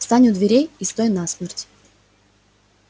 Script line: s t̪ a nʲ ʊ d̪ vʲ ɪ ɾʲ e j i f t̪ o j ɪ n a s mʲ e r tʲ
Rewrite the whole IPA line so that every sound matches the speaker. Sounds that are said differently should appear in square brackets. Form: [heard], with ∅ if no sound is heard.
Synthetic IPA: s t̪ a nʲ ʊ d̪ vʲ ɪ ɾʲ e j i [s] t̪ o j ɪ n a s mʲ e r tʲ